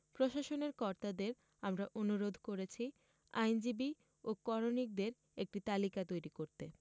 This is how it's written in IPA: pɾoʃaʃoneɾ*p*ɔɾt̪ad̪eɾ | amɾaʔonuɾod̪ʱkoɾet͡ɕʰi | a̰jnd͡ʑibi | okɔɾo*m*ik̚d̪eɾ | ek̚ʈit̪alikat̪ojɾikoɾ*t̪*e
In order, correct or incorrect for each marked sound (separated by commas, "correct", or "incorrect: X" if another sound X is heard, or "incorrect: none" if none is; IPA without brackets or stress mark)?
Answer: incorrect: k, incorrect: n, correct